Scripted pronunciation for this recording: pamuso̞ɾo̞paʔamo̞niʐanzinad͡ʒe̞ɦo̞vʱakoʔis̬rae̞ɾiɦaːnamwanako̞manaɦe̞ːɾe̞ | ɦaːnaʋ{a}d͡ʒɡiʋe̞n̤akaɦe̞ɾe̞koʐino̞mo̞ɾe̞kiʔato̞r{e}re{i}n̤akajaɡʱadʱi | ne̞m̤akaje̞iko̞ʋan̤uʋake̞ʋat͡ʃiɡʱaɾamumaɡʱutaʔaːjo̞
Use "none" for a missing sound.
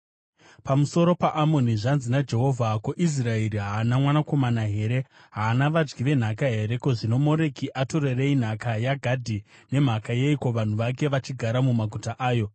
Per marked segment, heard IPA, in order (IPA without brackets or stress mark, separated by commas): a, e, i